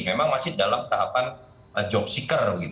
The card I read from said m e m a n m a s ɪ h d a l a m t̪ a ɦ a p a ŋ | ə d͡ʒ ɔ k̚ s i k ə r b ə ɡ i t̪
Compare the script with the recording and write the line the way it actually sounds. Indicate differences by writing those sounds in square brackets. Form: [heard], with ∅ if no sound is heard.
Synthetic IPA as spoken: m e m a [ŋ] m a s ɪ h d a l a m t̪ a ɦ a p a [n] | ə d͡ʒ ɔ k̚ s i k ə r b ə ɡ i t̪